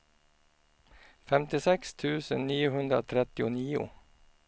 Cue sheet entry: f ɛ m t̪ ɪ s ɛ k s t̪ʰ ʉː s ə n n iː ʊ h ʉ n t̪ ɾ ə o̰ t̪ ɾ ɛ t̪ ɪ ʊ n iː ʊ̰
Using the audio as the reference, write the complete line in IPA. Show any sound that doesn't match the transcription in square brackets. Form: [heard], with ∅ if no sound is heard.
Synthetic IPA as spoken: f ɛ m t̪ ɪ s ɛ k s t̪ʰ ʉː s ə n n iː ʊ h ʉ n [d̪] ɾ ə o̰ [t̪ʰ] ɾ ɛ t̪ ɪ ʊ n iː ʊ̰